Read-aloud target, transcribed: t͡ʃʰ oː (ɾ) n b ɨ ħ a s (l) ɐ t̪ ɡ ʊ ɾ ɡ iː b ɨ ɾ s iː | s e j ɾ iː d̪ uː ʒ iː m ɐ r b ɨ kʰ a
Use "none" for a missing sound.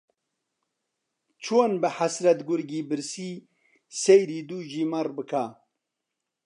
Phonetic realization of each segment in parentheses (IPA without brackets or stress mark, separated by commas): none, ɾ